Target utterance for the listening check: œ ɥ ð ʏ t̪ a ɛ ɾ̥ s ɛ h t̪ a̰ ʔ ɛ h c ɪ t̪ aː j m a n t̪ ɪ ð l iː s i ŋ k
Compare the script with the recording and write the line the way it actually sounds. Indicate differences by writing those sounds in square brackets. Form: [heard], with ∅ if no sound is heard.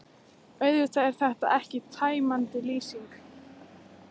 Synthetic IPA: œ ɥ ð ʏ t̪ a ɛ ɾ̥ [θ] ɛ h t̪ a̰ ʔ ɛ h c ɪ [t̪ʰ] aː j m a n t̪ ɪ [∅] l iː s i ŋ k